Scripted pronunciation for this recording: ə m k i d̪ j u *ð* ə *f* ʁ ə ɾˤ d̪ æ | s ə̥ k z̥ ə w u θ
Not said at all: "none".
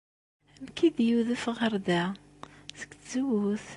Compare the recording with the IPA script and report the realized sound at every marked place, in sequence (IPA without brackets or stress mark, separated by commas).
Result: ð, f